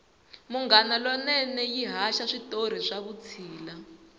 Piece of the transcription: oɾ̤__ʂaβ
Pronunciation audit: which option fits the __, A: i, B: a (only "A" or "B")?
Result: A